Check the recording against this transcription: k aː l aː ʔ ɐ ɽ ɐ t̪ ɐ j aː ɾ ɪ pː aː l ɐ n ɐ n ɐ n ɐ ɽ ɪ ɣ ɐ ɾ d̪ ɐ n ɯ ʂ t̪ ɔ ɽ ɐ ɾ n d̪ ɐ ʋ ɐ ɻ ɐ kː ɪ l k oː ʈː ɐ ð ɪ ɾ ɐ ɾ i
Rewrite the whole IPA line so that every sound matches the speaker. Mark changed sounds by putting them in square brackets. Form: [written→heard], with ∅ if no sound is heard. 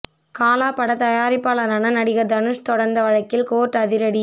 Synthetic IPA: k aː l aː [ʔ→p] ɐ ɽ ɐ t̪ ɐ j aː ɾ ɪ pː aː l ɐ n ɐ n ɐ n ɐ ɽ ɪ ɣ ɐ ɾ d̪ ɐ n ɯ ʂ t̪ ɔ ɽ ɐ ɾ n d̪ ɐ ʋ ɐ ɻ ɐ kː ɪ l k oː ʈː ɐ ð ɪ ɾ ɐ [ɾ→ɽ] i

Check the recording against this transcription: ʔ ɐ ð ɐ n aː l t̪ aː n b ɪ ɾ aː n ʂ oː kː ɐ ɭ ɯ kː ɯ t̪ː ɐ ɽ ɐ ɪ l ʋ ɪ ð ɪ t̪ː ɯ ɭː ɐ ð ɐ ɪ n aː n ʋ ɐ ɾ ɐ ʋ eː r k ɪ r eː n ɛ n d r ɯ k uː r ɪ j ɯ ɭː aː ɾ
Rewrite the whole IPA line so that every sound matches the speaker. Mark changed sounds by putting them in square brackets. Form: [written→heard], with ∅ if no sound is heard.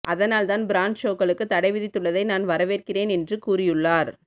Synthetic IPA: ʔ ɐ ð ɐ n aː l t̪ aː n b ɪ ɾ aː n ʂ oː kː ɐ ɭ ɯ kː ɯ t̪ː ɐ ɽ ɐ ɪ [l→∅] ʋ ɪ ð ɪ t̪ː ɯ ɭː ɐ ð ɐ ɪ n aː n ʋ ɐ ɾ ɐ ʋ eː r k ɪ r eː n ɛ n d r ɯ k uː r ɪ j ɯ ɭː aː ɾ

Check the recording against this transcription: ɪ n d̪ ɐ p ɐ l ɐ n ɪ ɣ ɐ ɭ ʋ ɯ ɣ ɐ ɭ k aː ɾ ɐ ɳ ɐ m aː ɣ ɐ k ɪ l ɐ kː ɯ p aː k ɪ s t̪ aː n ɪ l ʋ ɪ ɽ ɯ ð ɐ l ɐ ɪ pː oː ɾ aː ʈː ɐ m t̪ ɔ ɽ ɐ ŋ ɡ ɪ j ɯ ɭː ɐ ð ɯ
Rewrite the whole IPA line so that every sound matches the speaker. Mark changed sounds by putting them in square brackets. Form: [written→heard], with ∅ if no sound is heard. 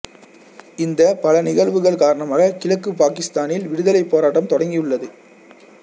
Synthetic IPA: ɪ n d̪ ɐ p ɐ l ɐ n ɪ ɣ ɐ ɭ ʋ ɯ ɣ ɐ ɭ k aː ɾ ɐ ɳ ɐ m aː ɣ ɐ k ɪ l ɐ kː ɯ p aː k ɪ s t̪ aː n ɪ l ʋ ɪ ɽ ɯ ð ɐ l ɐ ɪ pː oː ɾ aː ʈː ɐ m t̪ ɔ ɽ ɐ ŋ ɡ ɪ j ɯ ɭː ɐ ð ɯ

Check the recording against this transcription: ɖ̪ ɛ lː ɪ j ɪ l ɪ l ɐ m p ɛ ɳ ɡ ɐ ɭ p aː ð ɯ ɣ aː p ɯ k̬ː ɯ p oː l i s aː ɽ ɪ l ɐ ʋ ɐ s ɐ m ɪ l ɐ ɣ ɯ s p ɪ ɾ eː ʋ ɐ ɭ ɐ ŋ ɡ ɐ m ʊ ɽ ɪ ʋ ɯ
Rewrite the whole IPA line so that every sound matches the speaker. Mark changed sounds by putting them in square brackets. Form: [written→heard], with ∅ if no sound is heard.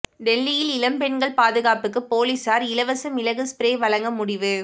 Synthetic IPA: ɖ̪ ɛ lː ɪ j ɪ l ɪ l ɐ m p ɛ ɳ ɡ ɐ ɭ p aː ð ɯ ɣ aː p ɯ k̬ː ɯ p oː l i s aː [ɽ→ɾ] ɪ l ɐ ʋ ɐ s ɐ m ɪ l ɐ ɣ ɯ s p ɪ ɾ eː ʋ ɐ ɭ ɐ ŋ ɡ ɐ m ʊ ɽ ɪ ʋ ɯ

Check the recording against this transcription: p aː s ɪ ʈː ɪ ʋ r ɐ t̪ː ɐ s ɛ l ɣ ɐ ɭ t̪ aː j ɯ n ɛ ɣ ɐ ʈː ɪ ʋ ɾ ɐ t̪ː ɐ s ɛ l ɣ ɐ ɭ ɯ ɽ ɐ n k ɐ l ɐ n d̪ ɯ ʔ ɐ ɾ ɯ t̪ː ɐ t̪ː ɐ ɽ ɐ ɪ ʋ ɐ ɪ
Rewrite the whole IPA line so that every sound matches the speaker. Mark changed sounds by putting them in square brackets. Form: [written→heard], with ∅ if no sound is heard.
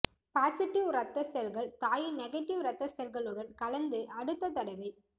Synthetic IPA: p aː s ɪ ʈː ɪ ʋ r ɐ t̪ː ɐ s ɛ l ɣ ɐ ɭ t̪ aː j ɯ n ɛ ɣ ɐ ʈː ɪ ʋ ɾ ɐ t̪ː ɐ s ɛ l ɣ ɐ ɭ ɯ ɽ ɐ n k ɐ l ɐ n d̪ ɯ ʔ ɐ [ɾ→ɽ] ɯ t̪ː ɐ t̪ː ɐ ɽ ɐ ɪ ʋ ɐ ɪ

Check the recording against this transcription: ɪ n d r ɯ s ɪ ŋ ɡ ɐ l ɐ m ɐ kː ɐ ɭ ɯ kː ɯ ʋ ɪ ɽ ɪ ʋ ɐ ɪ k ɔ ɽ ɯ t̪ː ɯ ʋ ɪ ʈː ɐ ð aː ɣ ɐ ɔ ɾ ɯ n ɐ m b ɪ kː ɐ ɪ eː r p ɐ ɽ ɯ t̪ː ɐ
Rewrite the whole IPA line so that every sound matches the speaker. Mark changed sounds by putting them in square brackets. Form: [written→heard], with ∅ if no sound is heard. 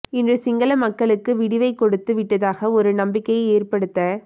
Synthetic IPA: ɪ n d r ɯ s ɪ ŋ ɡ ɐ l ɐ m ɐ kː ɐ ɭ ɯ kː ɯ ʋ ɪ ɽ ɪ ʋ ɐ ɪ k ɔ ɽ ɯ t̪ː ɯ ʋ ɪ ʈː ɐ ð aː ɣ ɐ ɔ ɾ ɯ n ɐ m b ɪ kː ɐ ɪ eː r p ɐ ɽ ɯ t̪ː ɐ

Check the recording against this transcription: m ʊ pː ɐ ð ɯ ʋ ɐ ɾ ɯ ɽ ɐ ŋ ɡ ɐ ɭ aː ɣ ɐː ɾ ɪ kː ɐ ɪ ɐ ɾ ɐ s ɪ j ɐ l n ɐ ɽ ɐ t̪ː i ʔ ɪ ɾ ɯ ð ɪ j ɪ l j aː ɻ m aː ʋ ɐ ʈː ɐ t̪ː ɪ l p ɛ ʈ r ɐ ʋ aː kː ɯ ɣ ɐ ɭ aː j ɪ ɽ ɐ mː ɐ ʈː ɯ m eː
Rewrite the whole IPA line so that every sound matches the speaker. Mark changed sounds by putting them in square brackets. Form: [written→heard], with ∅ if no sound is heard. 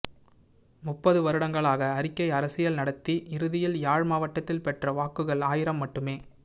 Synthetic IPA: m ʊ pː ɐ ð ɯ ʋ ɐ ɾ ɯ ɽ ɐ ŋ ɡ ɐ ɭ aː ɣ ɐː ɾ ɪ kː ɐ ɪ ɐ ɾ ɐ s ɪ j ɐ l n ɐ ɽ ɐ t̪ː i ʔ ɪ ɾ ɯ ð ɪ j ɪ l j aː ɻ m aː ʋ ɐ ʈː ɐ t̪ː ɪ l p ɛ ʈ r ɐ ʋ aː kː ɯ ɣ ɐ ɭ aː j ɪ [ɽ→ɾ] ɐ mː ɐ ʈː ɯ m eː

